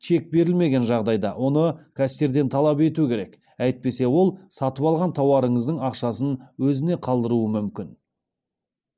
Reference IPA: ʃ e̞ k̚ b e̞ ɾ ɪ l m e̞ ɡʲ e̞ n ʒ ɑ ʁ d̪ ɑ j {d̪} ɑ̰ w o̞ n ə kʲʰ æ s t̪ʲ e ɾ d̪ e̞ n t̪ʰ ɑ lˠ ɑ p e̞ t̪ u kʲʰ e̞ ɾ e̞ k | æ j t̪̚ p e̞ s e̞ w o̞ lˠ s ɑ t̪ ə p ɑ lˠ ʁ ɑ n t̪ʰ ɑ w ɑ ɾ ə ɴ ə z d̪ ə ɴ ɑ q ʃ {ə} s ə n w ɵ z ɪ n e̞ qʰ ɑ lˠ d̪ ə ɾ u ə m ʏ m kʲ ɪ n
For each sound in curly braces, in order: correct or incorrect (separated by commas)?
correct, incorrect